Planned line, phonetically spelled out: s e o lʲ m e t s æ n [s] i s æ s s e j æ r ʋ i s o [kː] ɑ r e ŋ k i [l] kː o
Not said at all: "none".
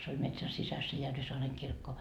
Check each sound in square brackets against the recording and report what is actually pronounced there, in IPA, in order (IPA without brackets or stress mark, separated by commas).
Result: s, none, r